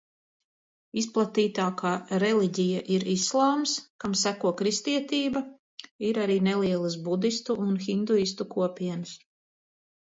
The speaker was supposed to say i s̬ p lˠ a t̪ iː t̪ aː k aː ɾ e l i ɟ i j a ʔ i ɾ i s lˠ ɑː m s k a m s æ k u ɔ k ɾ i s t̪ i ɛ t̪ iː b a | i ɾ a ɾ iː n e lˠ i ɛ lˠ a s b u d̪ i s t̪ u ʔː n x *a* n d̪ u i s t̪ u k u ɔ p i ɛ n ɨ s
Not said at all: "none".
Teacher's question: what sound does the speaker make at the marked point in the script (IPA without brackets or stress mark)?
i